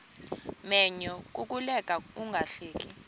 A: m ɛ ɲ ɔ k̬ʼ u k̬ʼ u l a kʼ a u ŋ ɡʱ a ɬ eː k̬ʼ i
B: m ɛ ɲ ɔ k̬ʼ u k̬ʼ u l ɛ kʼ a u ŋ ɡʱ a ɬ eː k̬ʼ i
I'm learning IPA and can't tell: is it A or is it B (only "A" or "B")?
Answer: B